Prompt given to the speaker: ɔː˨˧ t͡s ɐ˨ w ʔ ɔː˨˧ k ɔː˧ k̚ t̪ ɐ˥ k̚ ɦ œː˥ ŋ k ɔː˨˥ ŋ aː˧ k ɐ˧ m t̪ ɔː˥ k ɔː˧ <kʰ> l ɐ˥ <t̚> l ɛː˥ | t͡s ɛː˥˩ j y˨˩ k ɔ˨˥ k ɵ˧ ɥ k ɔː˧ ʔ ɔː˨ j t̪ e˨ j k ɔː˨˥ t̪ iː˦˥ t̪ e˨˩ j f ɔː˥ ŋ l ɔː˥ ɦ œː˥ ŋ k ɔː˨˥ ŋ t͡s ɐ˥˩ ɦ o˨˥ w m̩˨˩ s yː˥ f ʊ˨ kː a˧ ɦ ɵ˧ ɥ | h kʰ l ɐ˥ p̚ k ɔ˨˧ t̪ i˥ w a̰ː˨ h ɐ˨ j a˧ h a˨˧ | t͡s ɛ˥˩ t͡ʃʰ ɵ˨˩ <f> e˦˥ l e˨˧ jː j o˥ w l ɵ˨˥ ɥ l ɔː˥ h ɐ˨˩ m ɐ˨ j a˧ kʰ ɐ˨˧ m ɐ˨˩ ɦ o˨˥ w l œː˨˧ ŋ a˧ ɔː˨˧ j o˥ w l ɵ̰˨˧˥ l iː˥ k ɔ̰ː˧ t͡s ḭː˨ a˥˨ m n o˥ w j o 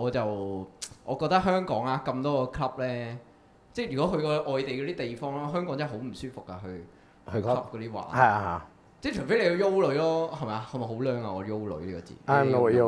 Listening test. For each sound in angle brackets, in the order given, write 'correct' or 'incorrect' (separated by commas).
correct, incorrect, correct